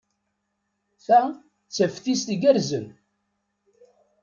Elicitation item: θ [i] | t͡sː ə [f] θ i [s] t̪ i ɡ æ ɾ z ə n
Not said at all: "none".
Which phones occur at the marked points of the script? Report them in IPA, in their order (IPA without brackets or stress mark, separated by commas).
æ, f, s